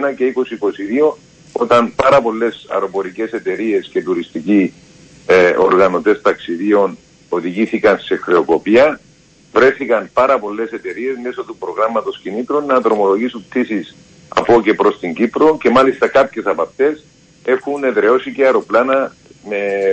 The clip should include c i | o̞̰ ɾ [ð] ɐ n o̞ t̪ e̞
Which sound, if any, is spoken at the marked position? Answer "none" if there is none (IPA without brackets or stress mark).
ɣ